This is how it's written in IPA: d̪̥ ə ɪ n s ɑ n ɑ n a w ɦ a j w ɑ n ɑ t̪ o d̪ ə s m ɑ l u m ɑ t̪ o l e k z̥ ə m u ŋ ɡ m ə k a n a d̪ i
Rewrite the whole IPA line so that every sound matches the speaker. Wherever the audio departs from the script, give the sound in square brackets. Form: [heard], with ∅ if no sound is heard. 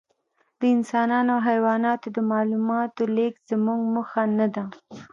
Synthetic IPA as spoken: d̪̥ ə ɪ n s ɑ n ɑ n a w ɦ a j w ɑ n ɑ t̪ o d̪ ə [∅] m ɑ l u m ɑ t̪ o l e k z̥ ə m u ŋ ɡ m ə [x] a n a d̪ [a]